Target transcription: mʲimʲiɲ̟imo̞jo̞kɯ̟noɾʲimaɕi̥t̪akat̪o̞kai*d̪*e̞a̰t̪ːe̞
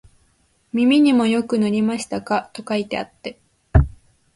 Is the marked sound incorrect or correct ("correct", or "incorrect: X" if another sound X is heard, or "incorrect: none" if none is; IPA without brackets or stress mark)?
incorrect: t̪